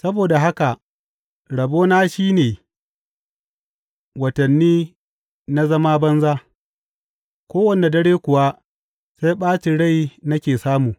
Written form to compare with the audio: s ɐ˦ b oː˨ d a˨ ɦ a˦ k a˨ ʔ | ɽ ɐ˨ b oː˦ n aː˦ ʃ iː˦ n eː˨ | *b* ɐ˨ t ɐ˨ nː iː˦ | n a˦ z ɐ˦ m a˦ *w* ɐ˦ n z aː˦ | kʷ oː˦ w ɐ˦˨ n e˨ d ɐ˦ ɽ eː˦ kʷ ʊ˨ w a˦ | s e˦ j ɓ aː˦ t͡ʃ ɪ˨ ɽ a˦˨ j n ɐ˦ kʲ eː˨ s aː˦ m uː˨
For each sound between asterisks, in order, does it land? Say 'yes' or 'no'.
no, no

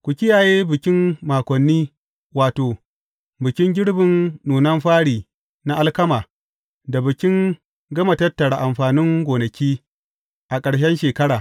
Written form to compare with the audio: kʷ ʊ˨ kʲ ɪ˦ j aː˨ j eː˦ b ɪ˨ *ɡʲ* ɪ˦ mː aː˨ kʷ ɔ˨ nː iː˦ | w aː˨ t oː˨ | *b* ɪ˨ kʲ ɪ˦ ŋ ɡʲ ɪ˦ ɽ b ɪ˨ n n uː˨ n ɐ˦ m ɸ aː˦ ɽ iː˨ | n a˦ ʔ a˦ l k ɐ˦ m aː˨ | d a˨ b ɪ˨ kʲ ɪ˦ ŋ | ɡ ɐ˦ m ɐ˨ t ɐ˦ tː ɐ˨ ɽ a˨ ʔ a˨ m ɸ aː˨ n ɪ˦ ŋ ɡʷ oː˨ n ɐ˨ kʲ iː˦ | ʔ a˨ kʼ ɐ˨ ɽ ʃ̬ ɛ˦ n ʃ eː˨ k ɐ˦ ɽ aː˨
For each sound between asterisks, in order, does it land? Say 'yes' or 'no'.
no, yes

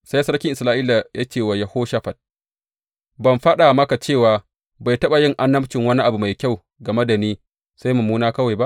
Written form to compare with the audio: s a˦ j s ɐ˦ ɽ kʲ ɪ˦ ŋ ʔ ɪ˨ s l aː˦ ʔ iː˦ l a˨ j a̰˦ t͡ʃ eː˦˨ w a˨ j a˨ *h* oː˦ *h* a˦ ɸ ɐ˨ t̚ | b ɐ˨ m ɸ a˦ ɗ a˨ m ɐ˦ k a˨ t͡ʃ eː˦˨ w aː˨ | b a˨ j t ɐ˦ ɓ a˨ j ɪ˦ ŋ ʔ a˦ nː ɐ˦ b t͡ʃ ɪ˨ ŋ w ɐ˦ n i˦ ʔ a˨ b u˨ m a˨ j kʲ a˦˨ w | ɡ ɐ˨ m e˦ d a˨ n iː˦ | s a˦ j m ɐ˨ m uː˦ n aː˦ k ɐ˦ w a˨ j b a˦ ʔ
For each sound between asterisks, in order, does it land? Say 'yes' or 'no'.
yes, no

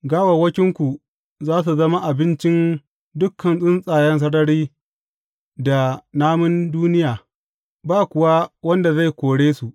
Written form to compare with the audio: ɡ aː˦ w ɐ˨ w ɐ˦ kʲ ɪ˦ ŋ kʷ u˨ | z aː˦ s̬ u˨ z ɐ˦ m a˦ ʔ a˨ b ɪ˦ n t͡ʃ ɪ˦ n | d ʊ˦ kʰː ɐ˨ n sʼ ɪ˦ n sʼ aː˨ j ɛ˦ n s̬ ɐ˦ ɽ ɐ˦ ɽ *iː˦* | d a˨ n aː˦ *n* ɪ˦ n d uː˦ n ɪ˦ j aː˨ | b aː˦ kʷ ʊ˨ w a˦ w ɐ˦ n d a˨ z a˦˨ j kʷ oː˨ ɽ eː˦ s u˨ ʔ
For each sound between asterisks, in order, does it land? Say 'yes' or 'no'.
yes, no

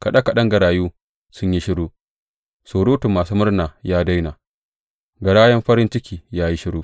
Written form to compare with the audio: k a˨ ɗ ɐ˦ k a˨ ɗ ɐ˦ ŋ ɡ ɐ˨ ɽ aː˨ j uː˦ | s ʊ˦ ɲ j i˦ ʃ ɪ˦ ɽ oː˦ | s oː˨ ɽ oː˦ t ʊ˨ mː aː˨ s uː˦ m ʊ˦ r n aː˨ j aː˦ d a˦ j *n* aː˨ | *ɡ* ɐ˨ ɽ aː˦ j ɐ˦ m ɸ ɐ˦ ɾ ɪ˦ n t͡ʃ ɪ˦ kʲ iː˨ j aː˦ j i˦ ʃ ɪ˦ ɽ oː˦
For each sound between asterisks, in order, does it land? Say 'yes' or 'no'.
yes, yes

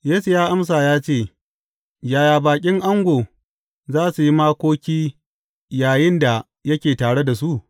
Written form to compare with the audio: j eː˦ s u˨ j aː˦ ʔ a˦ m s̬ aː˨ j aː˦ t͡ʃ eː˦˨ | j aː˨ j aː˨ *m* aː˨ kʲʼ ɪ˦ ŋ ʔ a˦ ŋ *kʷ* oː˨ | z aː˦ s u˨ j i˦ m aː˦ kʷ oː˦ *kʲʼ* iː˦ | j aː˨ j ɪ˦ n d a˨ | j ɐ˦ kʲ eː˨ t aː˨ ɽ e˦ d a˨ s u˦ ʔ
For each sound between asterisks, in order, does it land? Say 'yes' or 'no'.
no, no, no

